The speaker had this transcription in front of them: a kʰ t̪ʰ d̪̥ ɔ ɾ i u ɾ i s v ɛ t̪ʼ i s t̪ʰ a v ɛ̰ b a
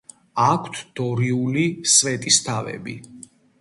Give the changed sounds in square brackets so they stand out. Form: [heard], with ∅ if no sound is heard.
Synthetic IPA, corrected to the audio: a kʰ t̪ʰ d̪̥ ɔ ɾ i u [l] i s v ɛ t̪ʼ i s t̪ʰ a v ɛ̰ b [i]